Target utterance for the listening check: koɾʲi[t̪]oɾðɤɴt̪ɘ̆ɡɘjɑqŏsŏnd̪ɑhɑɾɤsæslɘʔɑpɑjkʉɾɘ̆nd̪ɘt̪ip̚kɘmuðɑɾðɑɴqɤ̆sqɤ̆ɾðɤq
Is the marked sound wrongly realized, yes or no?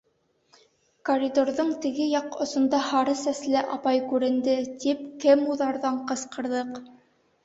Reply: yes